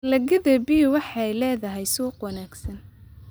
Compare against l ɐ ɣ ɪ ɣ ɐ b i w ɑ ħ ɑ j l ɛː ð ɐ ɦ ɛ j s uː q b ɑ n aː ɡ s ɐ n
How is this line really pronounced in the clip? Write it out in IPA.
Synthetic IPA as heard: l ɐ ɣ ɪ ð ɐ b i w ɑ ħ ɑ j l ɛː ð ɐ ɦ ɛ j s uː q w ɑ n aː ɡ s ɐ n